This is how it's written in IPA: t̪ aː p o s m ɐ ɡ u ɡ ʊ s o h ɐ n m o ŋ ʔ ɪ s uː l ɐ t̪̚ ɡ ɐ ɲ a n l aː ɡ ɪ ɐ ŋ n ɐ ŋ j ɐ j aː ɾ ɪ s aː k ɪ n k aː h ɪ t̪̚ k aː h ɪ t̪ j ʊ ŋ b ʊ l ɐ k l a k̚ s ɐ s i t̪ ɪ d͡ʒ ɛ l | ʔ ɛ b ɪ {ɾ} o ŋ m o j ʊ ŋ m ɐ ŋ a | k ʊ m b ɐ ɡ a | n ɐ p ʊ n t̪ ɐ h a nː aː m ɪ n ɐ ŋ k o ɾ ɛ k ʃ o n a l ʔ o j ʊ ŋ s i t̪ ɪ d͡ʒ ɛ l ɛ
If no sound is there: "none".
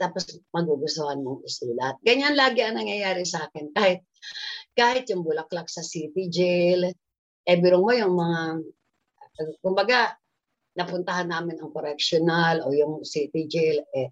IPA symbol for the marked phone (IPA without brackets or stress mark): ɾ